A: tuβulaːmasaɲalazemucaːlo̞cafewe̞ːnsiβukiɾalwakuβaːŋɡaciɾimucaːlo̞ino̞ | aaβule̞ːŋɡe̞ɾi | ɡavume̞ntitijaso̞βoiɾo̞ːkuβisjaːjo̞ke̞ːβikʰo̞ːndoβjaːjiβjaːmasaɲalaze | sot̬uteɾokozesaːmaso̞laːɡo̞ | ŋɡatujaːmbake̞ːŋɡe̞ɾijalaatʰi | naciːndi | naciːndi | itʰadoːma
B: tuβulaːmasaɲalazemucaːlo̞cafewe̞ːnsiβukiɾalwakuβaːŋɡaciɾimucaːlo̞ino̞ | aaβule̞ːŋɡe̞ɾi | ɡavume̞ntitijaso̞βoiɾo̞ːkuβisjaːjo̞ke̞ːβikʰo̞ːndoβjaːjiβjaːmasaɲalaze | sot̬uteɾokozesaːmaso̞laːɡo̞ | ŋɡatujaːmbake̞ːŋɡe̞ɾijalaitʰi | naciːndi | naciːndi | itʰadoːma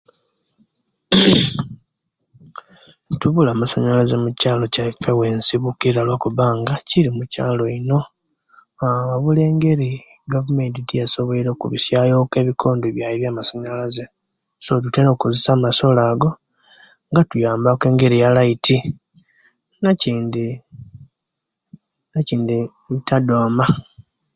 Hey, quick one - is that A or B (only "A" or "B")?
B